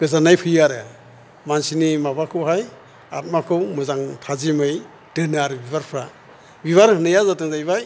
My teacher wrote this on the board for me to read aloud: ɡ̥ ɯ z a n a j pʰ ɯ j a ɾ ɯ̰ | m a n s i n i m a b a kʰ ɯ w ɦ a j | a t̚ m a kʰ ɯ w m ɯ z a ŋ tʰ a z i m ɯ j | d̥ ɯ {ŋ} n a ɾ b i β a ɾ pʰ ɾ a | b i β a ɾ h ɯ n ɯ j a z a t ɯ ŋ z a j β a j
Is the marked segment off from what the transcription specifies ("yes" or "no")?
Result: yes